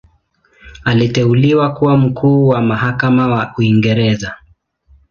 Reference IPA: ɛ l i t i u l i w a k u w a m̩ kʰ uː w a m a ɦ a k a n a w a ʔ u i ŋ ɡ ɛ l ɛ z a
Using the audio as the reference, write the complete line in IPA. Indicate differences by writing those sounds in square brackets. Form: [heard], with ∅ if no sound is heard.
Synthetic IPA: [a] l i t [ɛ] u l i w a k u w a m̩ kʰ uː w a m a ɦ a k a [m] a w a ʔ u i ŋ ɡ ɛ [ɾ] ɛ z a